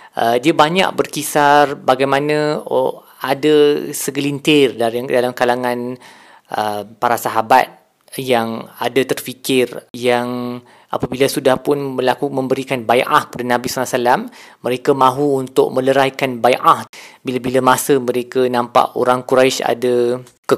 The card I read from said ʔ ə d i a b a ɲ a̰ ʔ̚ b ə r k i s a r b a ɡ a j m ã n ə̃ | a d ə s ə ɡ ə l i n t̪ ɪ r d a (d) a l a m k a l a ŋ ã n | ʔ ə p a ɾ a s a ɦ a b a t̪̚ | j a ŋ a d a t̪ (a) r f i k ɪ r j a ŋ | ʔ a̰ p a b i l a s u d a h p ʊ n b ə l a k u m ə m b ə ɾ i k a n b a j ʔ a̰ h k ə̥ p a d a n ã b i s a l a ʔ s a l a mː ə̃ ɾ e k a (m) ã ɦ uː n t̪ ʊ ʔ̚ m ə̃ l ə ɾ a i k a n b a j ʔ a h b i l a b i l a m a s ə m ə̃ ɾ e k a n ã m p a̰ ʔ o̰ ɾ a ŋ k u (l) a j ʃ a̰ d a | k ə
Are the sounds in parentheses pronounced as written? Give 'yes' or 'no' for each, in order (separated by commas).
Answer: yes, no, yes, no